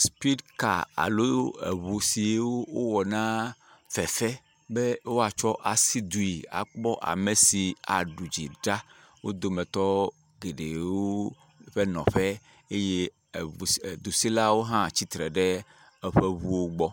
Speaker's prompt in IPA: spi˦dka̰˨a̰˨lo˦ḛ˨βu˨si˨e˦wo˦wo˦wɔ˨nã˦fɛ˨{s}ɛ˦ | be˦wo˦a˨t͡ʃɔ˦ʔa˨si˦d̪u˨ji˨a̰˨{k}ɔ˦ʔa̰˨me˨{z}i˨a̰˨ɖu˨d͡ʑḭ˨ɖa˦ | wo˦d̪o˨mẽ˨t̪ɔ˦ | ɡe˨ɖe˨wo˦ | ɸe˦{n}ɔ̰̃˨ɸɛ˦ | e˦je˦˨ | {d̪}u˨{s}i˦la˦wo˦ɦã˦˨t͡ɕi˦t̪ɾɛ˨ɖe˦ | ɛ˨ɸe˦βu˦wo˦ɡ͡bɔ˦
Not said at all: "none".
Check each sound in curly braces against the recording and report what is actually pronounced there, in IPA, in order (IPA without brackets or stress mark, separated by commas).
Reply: f, k͡p, s, n, d̪, s